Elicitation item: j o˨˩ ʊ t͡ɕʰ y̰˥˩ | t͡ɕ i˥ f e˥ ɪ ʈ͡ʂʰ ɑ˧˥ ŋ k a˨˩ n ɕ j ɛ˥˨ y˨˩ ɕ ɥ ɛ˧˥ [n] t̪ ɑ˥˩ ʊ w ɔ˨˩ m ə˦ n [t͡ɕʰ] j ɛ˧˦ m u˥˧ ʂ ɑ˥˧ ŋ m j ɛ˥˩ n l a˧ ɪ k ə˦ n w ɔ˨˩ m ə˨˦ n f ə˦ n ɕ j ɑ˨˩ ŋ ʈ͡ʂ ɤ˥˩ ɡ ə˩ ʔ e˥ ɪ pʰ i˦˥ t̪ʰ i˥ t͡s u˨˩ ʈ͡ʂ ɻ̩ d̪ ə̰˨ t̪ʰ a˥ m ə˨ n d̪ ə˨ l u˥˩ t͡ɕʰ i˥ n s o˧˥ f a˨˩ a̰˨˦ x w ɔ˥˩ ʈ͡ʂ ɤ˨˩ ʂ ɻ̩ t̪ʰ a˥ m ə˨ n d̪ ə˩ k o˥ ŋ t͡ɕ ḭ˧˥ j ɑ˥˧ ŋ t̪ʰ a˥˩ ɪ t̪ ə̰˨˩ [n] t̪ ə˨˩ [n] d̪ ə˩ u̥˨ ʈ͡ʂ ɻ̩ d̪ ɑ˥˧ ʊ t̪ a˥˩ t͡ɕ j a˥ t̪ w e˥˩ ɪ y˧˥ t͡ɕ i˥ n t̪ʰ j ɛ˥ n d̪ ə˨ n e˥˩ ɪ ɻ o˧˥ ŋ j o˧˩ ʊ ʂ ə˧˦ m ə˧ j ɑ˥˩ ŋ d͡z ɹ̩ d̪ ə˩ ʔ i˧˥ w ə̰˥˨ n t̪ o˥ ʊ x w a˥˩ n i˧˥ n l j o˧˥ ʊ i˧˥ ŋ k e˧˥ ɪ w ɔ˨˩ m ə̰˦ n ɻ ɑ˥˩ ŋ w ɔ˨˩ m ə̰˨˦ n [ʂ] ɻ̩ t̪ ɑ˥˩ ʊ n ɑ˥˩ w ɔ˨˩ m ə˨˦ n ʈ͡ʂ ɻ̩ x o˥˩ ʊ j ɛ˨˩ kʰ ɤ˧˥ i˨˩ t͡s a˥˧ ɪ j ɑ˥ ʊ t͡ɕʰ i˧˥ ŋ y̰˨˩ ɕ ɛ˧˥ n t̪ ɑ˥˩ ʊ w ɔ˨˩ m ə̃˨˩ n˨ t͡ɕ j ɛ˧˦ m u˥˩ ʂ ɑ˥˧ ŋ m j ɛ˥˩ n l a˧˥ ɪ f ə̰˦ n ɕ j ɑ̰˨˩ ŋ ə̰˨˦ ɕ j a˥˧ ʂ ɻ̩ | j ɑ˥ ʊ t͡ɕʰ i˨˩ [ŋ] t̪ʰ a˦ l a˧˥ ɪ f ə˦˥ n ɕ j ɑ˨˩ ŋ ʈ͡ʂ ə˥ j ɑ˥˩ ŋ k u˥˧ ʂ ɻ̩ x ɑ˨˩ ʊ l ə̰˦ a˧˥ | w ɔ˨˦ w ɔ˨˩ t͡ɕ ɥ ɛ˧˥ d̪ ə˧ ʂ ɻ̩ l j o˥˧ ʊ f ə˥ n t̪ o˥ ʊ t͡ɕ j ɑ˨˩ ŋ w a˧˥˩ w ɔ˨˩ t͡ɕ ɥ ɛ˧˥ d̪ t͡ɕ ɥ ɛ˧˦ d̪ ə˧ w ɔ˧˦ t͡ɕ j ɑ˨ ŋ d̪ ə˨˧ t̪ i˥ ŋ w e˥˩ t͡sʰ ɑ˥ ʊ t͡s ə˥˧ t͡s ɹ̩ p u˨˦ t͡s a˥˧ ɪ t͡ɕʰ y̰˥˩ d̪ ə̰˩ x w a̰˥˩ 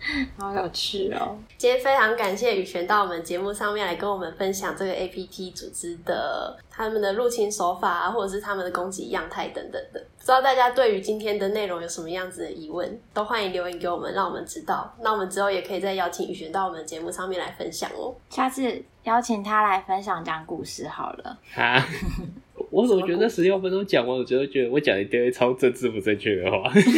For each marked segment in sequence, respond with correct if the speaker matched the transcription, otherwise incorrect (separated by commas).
correct, incorrect, incorrect, incorrect, incorrect, correct